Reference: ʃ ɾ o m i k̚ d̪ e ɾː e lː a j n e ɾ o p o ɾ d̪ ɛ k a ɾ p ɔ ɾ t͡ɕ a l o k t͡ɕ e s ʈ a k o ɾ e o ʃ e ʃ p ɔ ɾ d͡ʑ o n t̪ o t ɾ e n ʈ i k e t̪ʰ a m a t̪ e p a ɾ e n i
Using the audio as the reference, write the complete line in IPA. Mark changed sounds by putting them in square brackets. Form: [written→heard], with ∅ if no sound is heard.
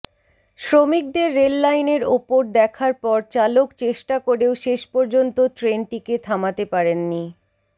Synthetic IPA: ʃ ɾ o m i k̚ d̪ e ɾː e lː a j n e ɾ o p o ɾ d̪ ɛ [k→kʰ] a ɾ p ɔ ɾ t͡ɕ a l o k t͡ɕ e [s→ʃ] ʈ a k o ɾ e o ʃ e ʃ p ɔ ɾ d͡ʑ o n t̪ o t ɾ e n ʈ i k e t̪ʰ a m a t̪ e p a ɾ e [n→nː] i